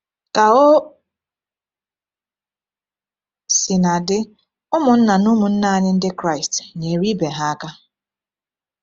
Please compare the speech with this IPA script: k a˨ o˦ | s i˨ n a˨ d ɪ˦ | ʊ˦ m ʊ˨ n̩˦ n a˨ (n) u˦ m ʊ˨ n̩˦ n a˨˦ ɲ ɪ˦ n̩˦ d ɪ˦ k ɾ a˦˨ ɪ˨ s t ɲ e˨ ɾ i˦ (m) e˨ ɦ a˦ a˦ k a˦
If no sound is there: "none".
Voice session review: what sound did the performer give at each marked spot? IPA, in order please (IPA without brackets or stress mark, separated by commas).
n, b